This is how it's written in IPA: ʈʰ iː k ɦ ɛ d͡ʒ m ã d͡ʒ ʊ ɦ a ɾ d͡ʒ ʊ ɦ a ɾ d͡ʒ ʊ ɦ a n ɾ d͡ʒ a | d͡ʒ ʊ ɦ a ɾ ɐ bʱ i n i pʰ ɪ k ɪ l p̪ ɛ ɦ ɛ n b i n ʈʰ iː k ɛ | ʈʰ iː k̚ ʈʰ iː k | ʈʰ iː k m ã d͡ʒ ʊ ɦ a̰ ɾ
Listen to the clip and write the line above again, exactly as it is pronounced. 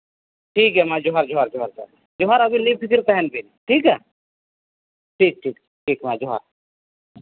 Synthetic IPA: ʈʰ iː k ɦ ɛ m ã d͡ʒ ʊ ɦ a ɾ d͡ʒ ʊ ɦ a ɾ d͡ʒ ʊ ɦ a ɾ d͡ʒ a | d͡ʒ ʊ ɦ a ɾ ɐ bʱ i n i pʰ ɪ k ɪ ɾ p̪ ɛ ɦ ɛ n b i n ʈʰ iː k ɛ | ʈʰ iː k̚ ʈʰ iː k | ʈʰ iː k m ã d͡ʒ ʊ ɦ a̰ ɾ